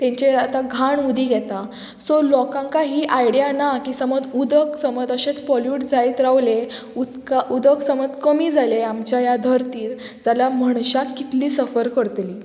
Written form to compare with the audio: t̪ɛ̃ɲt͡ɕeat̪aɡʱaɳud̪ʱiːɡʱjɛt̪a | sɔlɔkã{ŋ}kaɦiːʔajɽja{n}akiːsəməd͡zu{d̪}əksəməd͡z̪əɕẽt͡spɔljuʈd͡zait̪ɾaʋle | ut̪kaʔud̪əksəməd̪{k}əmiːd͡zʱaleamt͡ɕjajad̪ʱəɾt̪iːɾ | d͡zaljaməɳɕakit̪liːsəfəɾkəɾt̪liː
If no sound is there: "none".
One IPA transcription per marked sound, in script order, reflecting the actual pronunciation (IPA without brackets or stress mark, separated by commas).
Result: ŋ, n, d̪, k